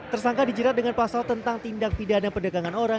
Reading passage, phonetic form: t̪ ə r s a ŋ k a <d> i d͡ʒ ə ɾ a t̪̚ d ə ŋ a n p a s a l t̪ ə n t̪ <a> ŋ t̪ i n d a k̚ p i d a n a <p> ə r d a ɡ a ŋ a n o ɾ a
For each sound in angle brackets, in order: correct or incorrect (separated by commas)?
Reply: correct, correct, correct